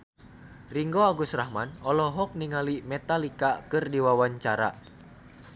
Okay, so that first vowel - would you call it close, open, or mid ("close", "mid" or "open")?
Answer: close